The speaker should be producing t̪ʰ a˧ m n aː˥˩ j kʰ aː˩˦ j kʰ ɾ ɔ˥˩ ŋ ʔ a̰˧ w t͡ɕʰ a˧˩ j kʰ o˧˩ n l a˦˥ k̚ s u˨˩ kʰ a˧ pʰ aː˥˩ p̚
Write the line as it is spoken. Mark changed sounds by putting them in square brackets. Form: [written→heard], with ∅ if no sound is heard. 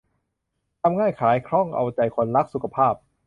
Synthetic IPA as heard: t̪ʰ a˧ m [n→ŋ] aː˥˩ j kʰ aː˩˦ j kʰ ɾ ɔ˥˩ ŋ ʔ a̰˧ w [t͡ɕʰ→t͡ɕ] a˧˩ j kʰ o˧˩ n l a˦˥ k̚ s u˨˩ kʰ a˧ pʰ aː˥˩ p̚